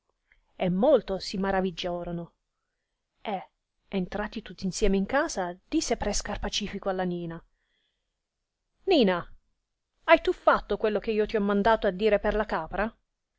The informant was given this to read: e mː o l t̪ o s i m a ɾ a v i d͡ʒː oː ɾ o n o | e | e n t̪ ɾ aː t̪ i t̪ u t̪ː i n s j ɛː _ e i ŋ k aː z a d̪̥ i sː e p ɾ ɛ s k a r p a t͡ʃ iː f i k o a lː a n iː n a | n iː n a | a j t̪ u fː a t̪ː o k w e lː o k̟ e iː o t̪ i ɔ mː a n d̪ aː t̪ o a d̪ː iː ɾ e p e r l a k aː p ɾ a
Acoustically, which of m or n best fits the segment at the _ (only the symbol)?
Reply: m